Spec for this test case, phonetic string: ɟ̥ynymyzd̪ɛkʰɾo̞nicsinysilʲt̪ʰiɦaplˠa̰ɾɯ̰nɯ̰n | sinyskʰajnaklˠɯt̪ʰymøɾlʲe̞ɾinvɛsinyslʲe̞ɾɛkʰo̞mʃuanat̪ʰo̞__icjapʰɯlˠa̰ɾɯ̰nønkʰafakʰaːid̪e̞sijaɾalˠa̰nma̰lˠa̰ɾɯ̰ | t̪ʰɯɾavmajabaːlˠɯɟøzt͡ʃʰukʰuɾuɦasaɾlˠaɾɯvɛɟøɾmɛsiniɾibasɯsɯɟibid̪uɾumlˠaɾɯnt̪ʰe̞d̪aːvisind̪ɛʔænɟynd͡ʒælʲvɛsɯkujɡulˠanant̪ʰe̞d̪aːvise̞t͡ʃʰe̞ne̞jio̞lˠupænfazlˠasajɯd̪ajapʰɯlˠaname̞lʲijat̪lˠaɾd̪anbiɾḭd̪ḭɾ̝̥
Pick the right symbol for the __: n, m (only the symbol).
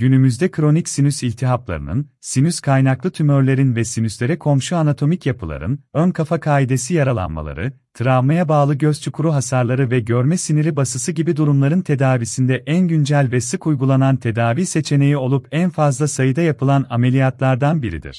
m